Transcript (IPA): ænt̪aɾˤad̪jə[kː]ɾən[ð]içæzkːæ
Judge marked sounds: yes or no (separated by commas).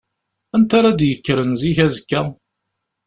yes, no